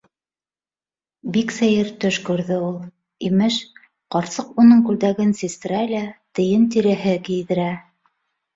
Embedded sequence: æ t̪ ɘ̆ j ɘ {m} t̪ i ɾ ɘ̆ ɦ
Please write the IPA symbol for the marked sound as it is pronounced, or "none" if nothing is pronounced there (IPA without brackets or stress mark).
n